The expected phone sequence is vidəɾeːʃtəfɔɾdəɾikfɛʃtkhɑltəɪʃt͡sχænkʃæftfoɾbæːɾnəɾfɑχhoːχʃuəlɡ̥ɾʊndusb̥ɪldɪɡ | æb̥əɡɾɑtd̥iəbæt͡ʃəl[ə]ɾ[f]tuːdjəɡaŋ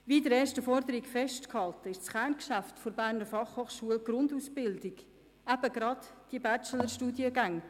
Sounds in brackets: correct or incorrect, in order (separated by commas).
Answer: correct, incorrect